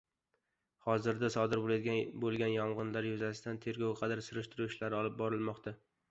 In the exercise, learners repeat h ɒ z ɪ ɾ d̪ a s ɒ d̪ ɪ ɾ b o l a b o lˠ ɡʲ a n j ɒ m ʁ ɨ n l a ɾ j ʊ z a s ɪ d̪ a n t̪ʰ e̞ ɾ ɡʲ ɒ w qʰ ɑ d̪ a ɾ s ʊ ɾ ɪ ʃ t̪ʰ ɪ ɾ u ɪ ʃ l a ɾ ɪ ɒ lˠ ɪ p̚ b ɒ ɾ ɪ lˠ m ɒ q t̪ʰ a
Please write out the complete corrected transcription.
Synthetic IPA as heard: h ɒ z ɪ ɾ d̪ a s ɒ d̪ ɪ ɾ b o l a b o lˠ ɡʲ a n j ɒ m ʁ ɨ n l a ɾ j ʊ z a s ɪ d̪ a n t̪ʰ e̞ ɾ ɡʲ ɒ w qʰ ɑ d̪ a ɾ s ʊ ɾ ɪ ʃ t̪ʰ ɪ ɾ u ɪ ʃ l a ɾ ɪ ɒ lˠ ɪ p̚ b ɒ ɾ ɪ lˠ m ɒ q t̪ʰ a